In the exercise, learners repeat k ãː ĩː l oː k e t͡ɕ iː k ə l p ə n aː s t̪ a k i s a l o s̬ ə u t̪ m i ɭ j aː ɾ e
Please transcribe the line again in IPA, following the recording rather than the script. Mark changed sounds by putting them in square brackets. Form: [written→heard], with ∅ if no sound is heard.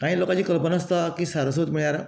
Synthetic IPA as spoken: k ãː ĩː l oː k [e→a] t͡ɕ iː k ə l p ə n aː s t̪ a k i s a [l→ɾ] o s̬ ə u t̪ m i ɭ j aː ɾ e